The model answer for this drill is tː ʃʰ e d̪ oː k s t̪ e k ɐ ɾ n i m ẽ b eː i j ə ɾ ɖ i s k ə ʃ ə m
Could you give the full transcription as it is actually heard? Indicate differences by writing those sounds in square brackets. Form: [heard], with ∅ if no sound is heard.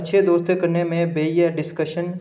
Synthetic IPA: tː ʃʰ e d̪ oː [∅] s t̪ e k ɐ ɾ n [e] m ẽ b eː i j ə ɾ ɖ [ɪ] s k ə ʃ ə [n]